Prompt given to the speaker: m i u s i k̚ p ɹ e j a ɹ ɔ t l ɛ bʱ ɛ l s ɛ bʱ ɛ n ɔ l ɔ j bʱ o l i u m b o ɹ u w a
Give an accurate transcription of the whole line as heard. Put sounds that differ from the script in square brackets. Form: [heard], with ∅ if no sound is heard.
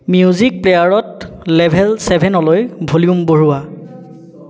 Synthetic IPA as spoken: m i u [z] i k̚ p [l] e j a ɹ ɔ t l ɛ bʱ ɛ l s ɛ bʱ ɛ n ɔ l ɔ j bʱ o l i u m b o ɹ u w a